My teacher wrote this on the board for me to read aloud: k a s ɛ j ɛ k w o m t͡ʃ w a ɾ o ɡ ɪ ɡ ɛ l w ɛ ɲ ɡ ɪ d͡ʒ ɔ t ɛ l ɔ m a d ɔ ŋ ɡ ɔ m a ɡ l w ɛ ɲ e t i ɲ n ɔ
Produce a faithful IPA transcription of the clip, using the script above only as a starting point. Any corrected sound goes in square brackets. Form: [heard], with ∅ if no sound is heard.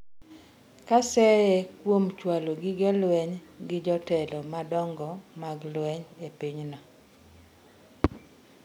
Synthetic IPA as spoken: k a s ɛ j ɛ k w o m t͡ʃ w a [l] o ɡ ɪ ɡ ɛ l w ɛ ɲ ɡ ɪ d͡ʒ ɔ t ɛ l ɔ m a d ɔ ŋ ɡ ɔ m a ɡ l w ɛ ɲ e [p] i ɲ n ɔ